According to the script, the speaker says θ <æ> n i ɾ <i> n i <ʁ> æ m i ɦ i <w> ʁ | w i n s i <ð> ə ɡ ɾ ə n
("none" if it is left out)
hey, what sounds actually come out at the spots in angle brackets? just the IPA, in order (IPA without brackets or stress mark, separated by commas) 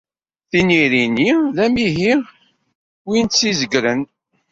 i, i, ð, none, z